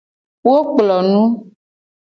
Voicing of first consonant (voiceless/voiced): voiced